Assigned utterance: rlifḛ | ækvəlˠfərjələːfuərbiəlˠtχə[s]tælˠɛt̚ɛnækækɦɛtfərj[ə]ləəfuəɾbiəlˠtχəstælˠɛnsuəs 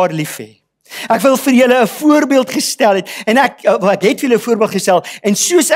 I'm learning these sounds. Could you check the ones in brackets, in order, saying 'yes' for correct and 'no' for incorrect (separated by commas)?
yes, yes